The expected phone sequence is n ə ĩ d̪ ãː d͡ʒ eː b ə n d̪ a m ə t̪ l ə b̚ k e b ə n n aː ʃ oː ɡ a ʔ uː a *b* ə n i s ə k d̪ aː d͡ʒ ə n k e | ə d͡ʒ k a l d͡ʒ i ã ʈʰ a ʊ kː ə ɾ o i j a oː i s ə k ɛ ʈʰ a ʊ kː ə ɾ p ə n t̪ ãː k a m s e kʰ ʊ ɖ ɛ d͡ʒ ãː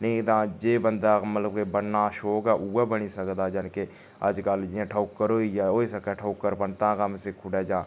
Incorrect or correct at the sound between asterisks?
correct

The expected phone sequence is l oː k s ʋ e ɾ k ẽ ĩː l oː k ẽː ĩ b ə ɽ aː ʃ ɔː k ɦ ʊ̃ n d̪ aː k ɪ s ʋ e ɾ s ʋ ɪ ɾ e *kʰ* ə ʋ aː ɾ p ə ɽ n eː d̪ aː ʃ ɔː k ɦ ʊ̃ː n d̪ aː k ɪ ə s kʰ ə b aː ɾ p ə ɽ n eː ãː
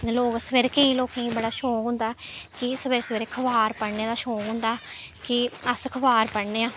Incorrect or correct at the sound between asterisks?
correct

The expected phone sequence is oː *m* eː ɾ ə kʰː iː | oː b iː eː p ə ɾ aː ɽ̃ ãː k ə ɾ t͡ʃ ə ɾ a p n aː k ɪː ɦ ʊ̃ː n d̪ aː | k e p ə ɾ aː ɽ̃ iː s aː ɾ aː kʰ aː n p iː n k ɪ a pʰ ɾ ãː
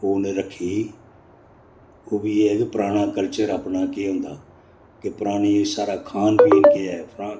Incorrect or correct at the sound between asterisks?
incorrect: n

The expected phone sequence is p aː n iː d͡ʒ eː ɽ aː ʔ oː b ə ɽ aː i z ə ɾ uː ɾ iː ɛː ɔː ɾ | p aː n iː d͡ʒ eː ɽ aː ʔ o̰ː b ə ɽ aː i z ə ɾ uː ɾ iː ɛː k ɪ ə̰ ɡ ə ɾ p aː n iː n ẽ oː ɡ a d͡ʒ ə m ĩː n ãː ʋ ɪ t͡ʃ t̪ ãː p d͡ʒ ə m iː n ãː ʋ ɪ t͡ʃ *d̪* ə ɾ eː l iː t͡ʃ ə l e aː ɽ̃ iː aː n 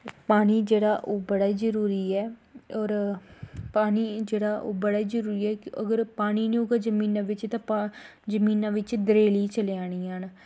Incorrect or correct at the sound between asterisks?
correct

